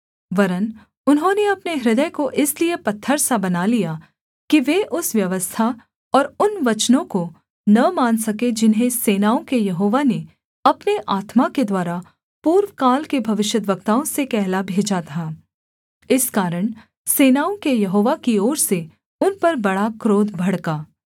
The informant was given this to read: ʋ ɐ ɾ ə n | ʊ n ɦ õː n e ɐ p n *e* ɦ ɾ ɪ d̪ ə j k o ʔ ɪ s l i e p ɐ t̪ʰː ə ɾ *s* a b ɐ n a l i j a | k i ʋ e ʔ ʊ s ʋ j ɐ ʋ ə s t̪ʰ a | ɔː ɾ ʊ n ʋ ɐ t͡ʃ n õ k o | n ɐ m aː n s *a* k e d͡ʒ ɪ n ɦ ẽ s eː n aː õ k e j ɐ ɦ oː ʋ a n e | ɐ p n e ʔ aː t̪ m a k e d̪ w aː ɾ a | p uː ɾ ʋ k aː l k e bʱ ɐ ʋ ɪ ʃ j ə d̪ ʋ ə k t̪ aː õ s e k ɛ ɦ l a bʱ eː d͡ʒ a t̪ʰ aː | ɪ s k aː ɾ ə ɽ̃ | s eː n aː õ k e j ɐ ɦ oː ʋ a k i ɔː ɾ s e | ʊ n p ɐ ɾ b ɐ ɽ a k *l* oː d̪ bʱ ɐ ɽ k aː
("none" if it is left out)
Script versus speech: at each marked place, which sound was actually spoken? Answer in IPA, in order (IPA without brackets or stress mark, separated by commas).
e, s, ɐ, ɾ